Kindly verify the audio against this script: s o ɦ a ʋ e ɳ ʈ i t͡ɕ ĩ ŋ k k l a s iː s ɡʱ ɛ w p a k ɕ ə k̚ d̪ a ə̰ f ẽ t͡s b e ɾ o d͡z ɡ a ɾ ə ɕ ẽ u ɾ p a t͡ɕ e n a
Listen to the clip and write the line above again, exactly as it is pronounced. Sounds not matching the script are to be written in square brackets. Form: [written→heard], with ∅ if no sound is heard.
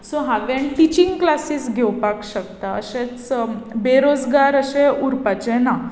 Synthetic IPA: s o ɦ a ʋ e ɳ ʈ i t͡ɕ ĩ ŋ [k→ɡ] k l a s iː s ɡʱ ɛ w p a k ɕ ə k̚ [d̪→t̪] a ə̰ [f→ɕ] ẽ t͡s b e ɾ o d͡z ɡ a ɾ ə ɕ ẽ u ɾ p a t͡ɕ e n a